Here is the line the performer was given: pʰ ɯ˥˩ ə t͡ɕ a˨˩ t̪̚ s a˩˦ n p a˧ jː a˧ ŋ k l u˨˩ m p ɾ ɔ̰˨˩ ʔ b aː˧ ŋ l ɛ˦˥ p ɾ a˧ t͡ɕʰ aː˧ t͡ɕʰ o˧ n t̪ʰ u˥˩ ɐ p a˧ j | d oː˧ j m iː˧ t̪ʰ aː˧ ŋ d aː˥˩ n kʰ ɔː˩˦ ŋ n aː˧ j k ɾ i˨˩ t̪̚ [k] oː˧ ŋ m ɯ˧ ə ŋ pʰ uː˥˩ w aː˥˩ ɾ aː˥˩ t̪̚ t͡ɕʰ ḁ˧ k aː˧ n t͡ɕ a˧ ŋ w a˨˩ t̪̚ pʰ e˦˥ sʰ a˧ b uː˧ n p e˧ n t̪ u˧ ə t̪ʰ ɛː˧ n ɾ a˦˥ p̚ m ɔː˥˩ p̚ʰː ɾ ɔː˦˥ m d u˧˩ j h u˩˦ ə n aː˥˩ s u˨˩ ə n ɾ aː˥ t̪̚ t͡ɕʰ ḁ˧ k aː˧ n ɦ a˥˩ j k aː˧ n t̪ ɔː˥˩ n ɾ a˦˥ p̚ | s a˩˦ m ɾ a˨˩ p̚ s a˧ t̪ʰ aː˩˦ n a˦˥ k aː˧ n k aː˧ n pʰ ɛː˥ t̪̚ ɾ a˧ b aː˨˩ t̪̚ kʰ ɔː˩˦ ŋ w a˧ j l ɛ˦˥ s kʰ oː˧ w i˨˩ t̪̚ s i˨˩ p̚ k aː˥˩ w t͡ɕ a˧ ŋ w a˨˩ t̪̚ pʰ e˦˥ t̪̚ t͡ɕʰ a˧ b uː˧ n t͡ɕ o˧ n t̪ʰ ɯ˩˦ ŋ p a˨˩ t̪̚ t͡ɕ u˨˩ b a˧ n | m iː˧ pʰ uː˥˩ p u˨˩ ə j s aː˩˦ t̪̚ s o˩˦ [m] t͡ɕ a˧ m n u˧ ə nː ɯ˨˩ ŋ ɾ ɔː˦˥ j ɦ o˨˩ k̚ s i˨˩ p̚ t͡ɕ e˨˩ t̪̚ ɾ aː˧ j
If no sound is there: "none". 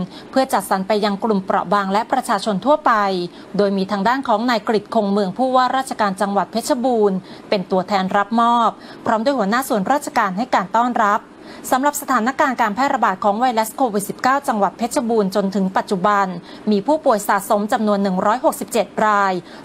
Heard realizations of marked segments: kʰ, m

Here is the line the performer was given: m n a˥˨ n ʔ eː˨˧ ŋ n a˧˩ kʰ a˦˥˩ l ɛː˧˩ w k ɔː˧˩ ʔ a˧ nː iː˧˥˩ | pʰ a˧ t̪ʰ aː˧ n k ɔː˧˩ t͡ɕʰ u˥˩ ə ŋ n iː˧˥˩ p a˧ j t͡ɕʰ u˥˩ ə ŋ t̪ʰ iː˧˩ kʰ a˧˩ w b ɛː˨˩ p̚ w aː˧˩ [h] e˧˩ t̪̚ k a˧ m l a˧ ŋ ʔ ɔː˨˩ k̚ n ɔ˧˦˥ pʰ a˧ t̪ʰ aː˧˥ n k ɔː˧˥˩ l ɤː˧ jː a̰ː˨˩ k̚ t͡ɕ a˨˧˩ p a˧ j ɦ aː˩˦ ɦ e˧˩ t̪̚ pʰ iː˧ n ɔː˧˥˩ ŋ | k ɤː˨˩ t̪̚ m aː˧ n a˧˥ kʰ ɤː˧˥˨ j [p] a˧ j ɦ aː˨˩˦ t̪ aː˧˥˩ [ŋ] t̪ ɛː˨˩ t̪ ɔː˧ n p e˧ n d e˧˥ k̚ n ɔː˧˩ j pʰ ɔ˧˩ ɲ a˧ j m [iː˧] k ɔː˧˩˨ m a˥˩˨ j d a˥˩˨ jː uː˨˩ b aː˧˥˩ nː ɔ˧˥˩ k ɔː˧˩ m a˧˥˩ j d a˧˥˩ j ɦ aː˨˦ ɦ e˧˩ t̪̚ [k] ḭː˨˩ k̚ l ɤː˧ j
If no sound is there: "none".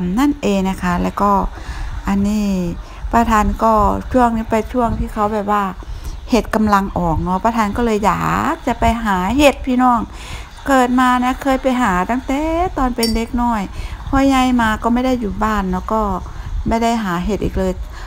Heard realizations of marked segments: h, p, ŋ, aː˧, ʔ

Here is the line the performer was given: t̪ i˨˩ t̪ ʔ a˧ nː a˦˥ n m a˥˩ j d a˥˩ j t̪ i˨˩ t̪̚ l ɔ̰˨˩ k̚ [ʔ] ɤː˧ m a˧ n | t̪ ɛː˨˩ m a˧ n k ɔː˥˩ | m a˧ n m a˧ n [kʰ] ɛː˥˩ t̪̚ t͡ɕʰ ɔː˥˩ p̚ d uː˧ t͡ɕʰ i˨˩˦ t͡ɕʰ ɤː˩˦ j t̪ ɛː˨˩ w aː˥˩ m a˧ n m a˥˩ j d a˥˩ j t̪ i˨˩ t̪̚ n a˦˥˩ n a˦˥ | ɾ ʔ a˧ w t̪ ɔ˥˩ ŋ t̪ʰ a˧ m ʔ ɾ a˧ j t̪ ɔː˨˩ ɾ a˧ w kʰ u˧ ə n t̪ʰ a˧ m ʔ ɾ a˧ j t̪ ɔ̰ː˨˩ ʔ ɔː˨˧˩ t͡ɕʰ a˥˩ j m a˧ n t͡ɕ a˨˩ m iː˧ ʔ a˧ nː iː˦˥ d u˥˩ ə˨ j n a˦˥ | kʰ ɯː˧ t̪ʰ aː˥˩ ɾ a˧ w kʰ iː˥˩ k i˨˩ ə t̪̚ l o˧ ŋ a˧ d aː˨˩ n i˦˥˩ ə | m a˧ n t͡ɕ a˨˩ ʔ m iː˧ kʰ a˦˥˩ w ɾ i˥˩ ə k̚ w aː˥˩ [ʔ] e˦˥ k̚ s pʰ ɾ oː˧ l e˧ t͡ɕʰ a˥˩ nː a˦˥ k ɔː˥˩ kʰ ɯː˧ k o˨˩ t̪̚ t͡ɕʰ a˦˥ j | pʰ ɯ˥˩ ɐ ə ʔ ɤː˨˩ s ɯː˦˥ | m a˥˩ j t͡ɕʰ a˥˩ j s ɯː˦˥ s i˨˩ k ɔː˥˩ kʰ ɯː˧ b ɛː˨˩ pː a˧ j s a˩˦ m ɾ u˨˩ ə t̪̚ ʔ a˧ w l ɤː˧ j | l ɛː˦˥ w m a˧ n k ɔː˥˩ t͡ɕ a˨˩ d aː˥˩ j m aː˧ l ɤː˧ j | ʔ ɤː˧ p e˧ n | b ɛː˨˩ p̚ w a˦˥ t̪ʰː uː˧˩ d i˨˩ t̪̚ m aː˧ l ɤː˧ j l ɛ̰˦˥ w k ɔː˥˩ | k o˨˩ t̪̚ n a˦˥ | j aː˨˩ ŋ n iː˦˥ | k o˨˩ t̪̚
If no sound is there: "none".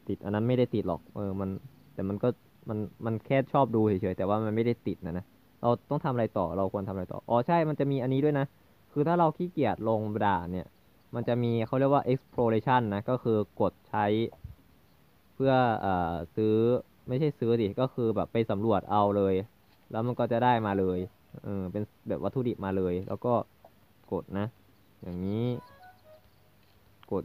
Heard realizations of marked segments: ʔ, kʰ, ʔ

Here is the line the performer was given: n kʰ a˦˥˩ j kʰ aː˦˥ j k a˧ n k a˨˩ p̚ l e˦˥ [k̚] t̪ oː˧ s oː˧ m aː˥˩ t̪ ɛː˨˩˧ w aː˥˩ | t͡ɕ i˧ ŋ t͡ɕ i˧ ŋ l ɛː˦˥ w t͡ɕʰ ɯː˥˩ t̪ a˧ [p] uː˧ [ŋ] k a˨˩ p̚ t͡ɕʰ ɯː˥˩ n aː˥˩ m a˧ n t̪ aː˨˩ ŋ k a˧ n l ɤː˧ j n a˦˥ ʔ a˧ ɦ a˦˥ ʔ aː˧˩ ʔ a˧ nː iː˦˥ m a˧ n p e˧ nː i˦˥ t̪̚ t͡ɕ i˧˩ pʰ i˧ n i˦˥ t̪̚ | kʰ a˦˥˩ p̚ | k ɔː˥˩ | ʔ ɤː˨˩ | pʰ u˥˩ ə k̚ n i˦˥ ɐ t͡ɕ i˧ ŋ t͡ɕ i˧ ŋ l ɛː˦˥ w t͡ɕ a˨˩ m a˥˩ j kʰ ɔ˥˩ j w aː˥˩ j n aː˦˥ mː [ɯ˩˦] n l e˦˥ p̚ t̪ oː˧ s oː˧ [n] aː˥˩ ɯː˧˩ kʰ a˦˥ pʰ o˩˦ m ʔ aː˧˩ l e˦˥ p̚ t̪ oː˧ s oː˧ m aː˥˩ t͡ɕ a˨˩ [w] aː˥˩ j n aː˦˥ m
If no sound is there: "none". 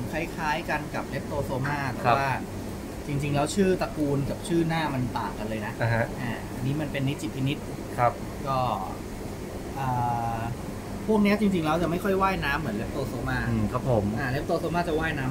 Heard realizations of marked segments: p̚, k, n, ɯ˩˦, m, w

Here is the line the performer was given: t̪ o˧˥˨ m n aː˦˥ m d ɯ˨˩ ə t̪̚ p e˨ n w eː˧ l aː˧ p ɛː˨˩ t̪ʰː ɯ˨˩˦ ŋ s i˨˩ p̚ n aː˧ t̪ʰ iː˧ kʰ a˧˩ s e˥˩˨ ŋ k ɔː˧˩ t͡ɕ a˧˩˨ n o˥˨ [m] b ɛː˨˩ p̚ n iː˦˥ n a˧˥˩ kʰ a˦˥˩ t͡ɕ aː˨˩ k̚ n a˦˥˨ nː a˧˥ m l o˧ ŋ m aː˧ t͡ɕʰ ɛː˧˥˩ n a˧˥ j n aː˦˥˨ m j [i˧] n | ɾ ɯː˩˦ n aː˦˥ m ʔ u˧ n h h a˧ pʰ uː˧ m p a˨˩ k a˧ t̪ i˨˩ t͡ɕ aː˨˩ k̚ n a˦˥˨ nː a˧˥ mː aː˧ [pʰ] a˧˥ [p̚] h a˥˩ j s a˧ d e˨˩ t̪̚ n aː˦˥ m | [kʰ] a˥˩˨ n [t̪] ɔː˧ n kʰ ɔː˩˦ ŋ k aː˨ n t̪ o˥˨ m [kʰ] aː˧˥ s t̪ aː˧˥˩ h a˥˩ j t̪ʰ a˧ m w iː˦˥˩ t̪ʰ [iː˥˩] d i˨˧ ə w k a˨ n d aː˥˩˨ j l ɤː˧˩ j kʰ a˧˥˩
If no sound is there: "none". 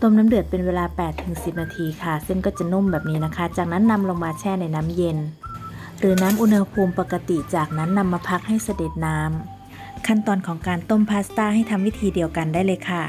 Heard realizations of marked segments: m, e˧, pʰ, k̚, kʰ, t̪, pʰ, iː˧

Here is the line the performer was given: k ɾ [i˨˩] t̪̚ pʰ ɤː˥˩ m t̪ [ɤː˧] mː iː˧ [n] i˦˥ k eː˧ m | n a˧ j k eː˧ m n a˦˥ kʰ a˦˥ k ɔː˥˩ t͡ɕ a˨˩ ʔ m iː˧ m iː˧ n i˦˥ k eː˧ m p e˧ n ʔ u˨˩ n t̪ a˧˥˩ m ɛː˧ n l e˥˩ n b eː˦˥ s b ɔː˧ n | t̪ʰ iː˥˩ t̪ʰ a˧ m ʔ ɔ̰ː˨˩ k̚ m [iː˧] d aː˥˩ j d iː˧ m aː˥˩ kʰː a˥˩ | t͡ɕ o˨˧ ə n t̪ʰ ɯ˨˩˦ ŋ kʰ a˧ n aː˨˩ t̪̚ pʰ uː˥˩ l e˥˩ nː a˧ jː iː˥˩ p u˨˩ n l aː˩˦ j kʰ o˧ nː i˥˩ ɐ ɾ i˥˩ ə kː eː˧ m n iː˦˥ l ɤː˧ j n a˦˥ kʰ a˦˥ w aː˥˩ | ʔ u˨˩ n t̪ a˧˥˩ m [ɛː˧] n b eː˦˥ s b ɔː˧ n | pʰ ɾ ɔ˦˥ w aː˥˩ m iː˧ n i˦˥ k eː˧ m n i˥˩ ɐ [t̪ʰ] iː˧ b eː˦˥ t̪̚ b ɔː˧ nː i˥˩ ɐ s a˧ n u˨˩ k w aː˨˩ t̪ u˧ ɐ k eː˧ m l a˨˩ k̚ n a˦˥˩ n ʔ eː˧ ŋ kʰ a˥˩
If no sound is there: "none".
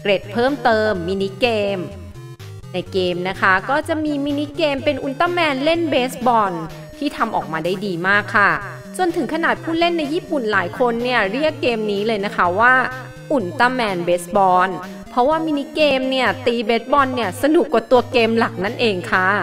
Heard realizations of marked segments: e˨˩, ɤː˧, n, aː˧, ɛː˧, t̪

